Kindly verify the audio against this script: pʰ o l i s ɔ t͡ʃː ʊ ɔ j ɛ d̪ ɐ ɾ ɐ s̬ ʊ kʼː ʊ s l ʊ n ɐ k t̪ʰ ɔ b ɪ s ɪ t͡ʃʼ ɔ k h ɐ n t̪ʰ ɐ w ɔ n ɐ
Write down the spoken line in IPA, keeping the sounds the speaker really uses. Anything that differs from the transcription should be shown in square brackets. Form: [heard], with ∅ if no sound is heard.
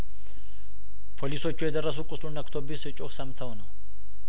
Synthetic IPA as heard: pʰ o l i s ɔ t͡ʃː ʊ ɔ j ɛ d̪ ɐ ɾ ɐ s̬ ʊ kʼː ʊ s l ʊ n ɐ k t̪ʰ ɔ b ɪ s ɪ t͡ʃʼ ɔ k [s] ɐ [m] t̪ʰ ɐ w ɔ n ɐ

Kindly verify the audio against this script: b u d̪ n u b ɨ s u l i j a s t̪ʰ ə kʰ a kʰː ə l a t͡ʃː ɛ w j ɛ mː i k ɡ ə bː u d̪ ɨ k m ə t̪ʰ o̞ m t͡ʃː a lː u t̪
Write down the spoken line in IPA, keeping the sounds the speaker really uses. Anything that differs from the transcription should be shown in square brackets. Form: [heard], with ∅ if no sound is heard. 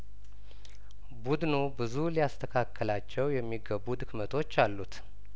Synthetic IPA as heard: b u d̪ n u b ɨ [z] u l i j a s t̪ʰ ə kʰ a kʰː ə l a t͡ʃː ɛ w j ɛ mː i [∅] ɡ ə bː u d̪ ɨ k m ə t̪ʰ o̞ [∅] t͡ʃː a lː u t̪

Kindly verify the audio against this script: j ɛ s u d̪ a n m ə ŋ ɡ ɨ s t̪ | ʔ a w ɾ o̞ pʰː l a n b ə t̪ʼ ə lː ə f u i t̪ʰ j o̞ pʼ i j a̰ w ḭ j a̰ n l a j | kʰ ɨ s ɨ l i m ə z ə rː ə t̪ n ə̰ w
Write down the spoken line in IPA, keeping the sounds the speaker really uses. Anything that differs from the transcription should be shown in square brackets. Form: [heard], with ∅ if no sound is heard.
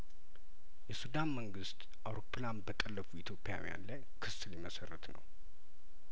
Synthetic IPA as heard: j ɛ s u d̪ a n m ə ŋ ɡ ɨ s t̪ | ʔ a w ɾ o̞ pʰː l a n b ə t̪ʼ ə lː ə f u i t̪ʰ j o̞ pʼ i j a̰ w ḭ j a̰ n l a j | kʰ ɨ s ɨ l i m ə [s] ə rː ə t̪ n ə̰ w

